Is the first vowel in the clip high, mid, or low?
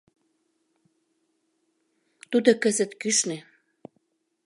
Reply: high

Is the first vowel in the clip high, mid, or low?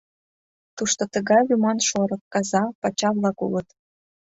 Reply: high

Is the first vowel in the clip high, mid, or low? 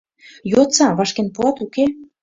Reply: mid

